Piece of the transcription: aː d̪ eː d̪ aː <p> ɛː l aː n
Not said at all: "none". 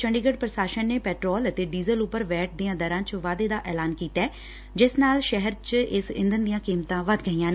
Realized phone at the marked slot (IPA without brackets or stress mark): ʔ